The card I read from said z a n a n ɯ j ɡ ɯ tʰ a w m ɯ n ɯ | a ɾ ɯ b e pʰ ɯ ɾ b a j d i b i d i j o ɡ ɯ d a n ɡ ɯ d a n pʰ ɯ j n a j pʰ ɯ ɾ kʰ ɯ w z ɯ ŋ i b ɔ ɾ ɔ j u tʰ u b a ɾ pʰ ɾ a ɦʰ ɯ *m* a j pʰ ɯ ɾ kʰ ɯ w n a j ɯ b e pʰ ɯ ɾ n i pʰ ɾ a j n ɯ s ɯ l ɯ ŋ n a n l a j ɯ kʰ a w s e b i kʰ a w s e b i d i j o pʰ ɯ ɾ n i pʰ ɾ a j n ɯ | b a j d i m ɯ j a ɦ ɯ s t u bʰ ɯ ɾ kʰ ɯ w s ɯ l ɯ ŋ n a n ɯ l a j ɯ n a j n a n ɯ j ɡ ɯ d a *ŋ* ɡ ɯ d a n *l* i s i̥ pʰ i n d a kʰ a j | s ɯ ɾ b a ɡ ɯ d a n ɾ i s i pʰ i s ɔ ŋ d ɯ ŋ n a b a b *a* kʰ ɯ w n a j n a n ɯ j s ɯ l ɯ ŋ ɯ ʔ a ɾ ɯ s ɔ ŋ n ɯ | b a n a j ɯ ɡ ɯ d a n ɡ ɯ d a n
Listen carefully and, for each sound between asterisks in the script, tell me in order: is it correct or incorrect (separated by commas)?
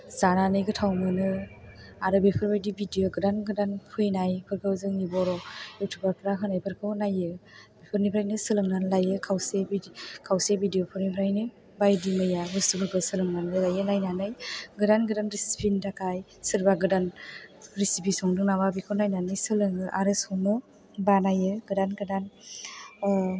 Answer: incorrect, incorrect, incorrect, incorrect